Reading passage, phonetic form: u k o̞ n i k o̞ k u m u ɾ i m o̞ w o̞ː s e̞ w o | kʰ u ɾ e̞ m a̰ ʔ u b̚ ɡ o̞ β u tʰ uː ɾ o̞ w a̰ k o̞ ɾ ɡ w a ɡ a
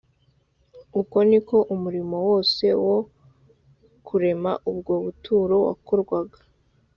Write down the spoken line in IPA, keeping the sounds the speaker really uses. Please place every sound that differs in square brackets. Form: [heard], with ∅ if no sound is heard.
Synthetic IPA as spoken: u k o̞ n i k o̞ [ʔ] u m u ɾ i m o̞ w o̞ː s e̞ w o | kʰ u ɾ e̞ m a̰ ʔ u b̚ ɡ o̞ β u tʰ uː ɾ o̞ w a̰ k o̞ ɾ ɡ w a ɡ a